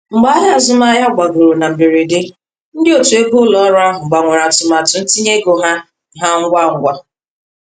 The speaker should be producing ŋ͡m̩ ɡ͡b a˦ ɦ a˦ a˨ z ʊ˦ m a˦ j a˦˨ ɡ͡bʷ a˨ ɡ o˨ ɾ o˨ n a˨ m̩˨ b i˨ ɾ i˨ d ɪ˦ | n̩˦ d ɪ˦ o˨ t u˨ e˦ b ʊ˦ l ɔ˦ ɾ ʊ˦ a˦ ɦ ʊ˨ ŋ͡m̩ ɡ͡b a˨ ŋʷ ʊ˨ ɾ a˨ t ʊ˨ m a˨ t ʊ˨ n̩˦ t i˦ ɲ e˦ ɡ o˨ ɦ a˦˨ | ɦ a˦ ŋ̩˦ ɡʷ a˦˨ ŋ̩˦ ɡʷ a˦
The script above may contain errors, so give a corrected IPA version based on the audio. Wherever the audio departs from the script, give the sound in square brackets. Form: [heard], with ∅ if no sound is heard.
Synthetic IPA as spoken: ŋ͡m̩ ɡ͡b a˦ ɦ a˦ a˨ z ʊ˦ m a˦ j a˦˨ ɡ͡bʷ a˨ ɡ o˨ ɾ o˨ n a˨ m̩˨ b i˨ ɾ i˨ d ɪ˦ | n̩˦ d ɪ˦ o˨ t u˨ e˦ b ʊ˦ l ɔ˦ ɾ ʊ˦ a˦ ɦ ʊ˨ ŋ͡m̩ ɡ͡b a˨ ŋʷ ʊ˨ ɾ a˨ t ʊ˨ m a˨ t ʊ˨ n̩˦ t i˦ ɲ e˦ ɡ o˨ ɦ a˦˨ | ɦ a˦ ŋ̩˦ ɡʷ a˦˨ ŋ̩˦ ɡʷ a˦